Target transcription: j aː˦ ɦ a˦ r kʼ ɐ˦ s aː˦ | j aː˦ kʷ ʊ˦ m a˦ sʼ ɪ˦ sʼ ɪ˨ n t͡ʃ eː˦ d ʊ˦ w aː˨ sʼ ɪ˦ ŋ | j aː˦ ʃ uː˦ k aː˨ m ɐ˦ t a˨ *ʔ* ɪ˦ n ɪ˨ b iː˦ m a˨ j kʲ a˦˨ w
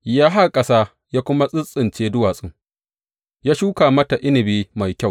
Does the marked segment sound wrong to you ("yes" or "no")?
no